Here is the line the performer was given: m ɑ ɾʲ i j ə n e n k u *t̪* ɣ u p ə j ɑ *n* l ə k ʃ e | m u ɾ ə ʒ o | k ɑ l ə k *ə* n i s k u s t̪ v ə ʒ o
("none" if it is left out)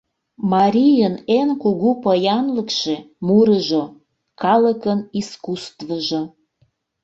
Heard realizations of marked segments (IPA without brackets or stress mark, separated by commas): none, n, ə